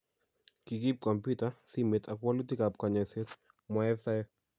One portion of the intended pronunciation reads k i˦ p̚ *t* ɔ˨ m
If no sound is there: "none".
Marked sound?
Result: k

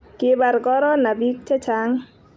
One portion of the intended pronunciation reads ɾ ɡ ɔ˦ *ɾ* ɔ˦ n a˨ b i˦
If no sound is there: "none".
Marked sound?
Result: ɾ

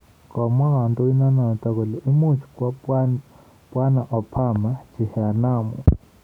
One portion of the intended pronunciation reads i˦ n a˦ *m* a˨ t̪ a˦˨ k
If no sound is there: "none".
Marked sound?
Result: n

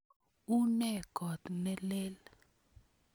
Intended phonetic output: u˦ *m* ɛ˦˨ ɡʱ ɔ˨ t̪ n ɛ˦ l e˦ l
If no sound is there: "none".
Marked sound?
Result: n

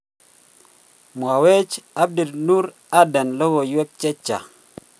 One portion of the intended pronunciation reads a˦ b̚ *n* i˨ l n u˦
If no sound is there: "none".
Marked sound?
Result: d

